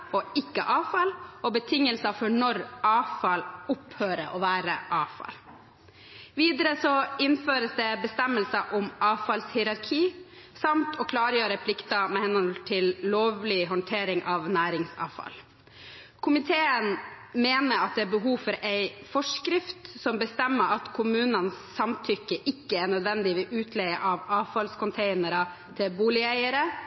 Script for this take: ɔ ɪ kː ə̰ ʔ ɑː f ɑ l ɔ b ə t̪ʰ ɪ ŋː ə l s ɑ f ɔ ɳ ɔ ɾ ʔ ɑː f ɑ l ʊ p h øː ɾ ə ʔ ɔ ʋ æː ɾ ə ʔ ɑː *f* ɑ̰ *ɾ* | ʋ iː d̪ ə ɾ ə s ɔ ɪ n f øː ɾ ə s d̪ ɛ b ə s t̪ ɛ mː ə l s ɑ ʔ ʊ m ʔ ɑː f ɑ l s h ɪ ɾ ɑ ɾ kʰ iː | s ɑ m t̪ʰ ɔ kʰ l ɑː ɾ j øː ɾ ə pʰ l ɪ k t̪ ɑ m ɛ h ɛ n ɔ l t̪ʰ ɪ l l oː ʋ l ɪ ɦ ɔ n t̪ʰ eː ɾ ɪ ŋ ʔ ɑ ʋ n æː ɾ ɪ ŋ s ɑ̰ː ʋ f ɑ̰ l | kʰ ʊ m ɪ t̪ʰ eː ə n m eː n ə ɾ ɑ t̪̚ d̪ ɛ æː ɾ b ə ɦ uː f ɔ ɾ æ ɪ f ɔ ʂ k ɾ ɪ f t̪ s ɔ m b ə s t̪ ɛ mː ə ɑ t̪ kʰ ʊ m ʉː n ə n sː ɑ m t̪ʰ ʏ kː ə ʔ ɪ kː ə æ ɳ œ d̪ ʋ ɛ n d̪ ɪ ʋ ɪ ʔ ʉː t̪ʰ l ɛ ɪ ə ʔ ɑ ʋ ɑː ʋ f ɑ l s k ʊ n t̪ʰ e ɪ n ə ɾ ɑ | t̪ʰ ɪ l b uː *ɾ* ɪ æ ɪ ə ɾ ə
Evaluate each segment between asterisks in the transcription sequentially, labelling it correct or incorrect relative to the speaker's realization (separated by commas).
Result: correct, incorrect, incorrect